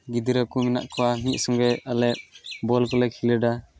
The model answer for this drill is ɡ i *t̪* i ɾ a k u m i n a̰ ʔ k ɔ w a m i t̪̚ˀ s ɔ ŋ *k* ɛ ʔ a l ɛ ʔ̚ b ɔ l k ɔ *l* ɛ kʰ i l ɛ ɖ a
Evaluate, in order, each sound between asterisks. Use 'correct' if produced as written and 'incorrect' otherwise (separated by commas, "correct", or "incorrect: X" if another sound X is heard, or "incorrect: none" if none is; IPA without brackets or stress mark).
incorrect: d̪, incorrect: ɡ, correct